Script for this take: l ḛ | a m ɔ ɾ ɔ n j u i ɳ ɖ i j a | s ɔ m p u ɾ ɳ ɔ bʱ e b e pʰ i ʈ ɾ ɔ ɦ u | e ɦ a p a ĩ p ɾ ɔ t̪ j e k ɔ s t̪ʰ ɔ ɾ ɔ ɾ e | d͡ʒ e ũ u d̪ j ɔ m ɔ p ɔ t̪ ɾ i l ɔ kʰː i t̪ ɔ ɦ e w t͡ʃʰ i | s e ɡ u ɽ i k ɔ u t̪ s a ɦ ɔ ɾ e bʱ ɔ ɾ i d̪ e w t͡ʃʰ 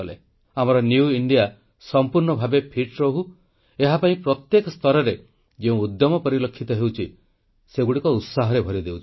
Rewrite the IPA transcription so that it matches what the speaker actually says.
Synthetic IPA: l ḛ | a m ɔ ɾ ɔ n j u i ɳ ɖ i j a | s ɔ m p u ɾ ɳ ɔ bʱ a b e pʰ i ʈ ɾ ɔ ɦ u | e ɦ a p a ĩ p ɾ ɔ t̪ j e k ɔ s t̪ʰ ɔ ɾ ɔ ɾ e | d͡ʒ e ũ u d̪ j ɔ m ɔ p ɔ ɾ i l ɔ kʰː i t̪ ɔ ɦ e w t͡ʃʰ i | s e ɡ u ɽ i k ɔ u t̪ s a ɦ ɔ ɾ e bʱ ɔ ɾ i d̪ e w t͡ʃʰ